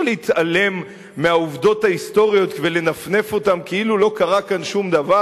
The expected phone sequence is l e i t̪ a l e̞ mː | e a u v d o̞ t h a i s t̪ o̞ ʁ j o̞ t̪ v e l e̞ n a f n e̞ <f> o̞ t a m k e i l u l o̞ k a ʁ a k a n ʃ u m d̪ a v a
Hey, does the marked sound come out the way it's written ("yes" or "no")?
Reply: yes